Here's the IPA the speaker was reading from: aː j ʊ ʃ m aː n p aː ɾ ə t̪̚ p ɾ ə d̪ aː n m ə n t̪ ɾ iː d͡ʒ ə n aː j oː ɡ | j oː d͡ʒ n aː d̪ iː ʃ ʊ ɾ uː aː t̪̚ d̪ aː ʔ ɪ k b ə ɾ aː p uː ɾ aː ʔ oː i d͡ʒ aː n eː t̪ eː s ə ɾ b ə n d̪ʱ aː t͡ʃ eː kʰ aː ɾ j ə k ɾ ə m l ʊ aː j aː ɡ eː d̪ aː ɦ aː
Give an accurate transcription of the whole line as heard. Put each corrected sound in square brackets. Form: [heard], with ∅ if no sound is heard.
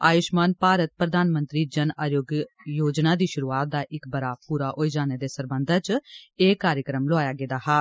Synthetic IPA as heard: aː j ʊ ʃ m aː n p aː ɾ ə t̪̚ p ɾ ə d̪ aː n m ə n t̪ ɾ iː d͡ʒ ə n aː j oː ɡ | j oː d͡ʒ n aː d̪ iː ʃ ʊ ɾ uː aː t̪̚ d̪ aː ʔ ɪ k b ə ɾ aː p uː ɾ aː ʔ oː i d͡ʒ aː n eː [d̪] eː s ə ɾ b ə n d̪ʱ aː t͡ʃ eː [k] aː ɾ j ə k ɾ ə m l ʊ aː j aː ɡ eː d̪ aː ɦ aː